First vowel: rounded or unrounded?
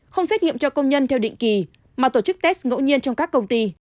unrounded